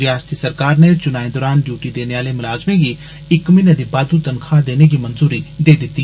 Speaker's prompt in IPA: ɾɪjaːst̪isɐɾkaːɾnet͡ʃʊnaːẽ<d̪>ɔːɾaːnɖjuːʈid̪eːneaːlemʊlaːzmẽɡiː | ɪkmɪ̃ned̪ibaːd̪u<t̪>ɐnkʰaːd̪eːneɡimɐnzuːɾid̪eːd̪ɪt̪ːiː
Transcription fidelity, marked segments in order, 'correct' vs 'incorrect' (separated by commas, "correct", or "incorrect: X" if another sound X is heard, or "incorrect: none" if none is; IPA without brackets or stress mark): correct, correct